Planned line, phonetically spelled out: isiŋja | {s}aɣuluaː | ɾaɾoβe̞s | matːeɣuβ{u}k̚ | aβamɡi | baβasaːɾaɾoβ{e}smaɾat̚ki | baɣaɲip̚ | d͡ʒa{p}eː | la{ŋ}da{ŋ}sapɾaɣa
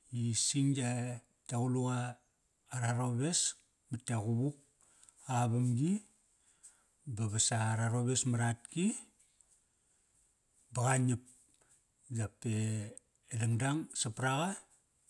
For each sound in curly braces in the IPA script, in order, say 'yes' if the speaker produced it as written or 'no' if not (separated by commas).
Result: no, yes, yes, yes, yes, yes